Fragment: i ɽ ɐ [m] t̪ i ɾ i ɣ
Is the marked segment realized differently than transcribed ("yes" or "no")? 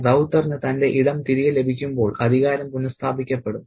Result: no